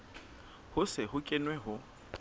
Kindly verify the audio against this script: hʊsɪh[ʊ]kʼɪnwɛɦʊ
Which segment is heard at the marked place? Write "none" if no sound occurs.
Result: ʊ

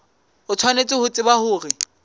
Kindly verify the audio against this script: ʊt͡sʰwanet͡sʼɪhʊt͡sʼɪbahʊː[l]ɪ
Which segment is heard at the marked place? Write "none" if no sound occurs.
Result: r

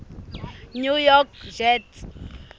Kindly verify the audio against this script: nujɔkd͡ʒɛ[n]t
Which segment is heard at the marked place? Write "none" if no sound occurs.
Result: none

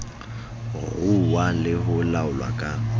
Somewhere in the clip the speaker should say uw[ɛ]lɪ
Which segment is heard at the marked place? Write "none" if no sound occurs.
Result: a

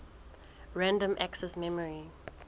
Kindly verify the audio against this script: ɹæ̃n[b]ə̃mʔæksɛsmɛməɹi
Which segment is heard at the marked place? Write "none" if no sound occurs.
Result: d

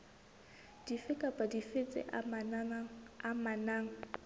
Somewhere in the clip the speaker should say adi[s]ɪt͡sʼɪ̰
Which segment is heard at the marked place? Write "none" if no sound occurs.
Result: f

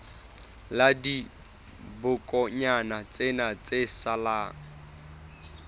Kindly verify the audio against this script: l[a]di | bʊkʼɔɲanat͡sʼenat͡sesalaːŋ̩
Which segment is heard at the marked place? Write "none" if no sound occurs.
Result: a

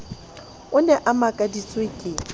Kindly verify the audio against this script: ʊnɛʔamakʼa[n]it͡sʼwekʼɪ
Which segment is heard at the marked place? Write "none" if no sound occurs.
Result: d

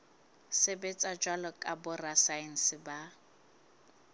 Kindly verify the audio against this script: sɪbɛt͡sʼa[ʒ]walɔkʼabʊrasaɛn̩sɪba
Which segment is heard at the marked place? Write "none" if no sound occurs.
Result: d͡ʒ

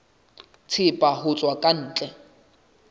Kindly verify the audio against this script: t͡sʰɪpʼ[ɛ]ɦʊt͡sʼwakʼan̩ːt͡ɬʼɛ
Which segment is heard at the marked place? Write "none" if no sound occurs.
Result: a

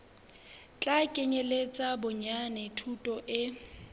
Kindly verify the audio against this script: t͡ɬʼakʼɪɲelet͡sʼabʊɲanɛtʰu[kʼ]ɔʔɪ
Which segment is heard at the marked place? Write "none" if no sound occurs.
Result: tʼ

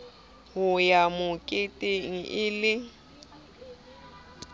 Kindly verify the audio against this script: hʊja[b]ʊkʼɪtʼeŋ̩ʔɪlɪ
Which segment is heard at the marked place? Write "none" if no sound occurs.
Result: m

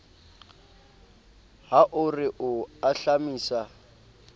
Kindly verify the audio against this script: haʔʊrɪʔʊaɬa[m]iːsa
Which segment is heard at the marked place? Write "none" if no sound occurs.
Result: m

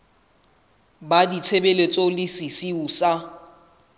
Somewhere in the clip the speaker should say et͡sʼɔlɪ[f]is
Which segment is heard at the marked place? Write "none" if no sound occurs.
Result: s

